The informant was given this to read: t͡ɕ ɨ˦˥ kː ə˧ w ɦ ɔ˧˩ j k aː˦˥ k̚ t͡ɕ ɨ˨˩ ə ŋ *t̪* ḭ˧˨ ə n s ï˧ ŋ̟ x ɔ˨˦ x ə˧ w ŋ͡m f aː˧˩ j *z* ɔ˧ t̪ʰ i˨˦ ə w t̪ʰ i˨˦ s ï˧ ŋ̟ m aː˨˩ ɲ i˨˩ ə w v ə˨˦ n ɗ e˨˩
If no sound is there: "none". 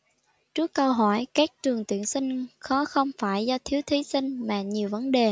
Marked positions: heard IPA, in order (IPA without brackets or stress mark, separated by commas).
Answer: t̪, z